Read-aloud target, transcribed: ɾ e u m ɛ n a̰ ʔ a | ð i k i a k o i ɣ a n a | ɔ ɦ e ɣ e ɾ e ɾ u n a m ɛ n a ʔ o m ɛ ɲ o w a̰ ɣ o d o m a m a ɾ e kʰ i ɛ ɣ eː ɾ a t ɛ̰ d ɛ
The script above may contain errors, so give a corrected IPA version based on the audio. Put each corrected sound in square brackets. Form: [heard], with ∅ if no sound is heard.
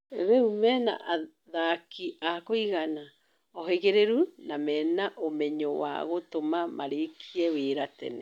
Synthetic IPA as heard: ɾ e u m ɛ n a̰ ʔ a | ð [a] k i a k o i ɣ a n a | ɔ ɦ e ɣ e ɾ e ɾ u n a m ɛ n a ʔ o m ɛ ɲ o w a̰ ɣ o [t] o m a m a ɾ e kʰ i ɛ [w] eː ɾ a t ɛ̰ [n] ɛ

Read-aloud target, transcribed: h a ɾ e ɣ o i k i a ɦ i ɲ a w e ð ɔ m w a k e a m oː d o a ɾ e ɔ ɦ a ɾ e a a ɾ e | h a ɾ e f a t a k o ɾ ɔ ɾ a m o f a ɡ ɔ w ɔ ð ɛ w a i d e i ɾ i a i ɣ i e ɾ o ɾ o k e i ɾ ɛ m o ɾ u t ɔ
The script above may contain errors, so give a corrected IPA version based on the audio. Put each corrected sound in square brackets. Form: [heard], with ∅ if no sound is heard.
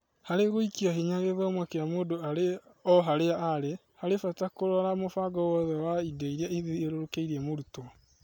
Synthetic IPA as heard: h a ɾ e ɣ o i k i a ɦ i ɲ a [ɣ] e ð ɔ m w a k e a m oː d o a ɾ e ɔ ɦ a ɾ e a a ɾ e | h a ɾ e f a t a k o ɾ ɔ ɾ a m o f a ɡ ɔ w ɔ ð ɛ w a i d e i ɾ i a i [ð] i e ɾ o ɾ o k e i ɾ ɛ m o ɾ u t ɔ

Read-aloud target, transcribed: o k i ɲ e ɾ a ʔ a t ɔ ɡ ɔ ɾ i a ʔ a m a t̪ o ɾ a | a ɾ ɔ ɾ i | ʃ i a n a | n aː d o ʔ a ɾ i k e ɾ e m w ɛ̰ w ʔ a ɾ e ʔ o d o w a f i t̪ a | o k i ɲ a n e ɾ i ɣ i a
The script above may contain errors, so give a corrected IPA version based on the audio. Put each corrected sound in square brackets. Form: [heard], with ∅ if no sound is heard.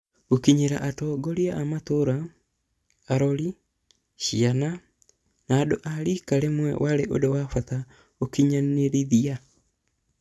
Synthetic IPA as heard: o k i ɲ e ɾ a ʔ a t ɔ ɡ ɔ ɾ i a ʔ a m a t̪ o ɾ a | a ɾ ɔ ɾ i | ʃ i a n a | n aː d o ʔ a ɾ i k [a] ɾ e m w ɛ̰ w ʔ a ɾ e ʔ o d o w a f [a] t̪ a | o k i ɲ a n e ɾ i [ð] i a

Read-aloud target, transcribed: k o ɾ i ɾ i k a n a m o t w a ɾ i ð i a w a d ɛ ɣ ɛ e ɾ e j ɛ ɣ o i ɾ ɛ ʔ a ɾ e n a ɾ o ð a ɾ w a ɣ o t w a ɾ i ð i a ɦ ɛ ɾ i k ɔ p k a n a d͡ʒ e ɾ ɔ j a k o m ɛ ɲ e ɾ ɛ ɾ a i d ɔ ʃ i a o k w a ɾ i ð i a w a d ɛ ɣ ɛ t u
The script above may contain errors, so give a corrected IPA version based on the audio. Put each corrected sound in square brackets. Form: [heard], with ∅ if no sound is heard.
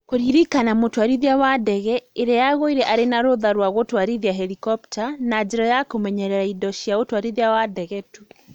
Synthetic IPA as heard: k o ɾ i ɾ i k a n a m o t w a ɾ i ð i a w a d ɛ ɣ ɛ e ɾ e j [a] ɣ o i ɾ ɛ ʔ a ɾ e n a ɾ o ð a ɾ w a ɣ o t w a ɾ i ð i a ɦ ɛ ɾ i k ɔ p [t] a n a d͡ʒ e ɾ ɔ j a k o m ɛ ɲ [ɛ] ɾ ɛ ɾ a i d ɔ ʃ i a o [t] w a ɾ i ð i a w a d ɛ ɣ ɛ t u

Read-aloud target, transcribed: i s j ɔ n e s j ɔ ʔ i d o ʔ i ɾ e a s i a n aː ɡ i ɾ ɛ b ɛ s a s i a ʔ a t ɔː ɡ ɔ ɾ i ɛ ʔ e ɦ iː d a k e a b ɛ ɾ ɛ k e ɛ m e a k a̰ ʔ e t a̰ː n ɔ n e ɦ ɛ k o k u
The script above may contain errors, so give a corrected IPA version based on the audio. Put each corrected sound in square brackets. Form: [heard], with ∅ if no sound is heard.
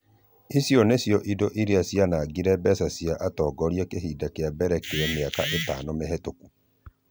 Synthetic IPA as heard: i s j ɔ n e s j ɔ ʔ i d o ʔ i ɾ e a s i a n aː ɡ i ɾ ɛ b ɛ s a s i a ʔ a t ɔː ɡ ɔ ɾ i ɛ [k] e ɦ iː d a k e a b ɛ ɾ ɛ k e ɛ m e a k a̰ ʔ e t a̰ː n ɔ [m] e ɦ ɛ [t] o k u

